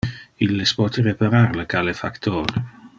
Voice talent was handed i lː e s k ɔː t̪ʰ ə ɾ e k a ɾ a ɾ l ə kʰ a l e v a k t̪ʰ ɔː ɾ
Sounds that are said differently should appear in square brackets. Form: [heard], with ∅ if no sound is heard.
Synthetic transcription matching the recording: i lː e s [p] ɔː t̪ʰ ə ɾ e [p] a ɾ a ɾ l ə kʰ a l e [f] a k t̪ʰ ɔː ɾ